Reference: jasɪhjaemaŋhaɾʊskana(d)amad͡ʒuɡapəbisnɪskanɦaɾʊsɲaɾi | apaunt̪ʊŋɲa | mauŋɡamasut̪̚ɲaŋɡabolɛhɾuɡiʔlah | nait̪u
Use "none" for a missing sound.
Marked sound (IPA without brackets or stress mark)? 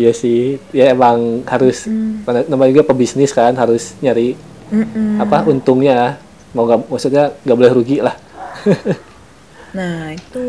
n